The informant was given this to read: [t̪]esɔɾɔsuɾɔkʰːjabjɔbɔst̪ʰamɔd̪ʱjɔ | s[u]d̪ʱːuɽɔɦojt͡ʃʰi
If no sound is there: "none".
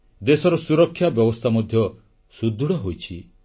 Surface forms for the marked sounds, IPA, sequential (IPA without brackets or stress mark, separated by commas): d̪, u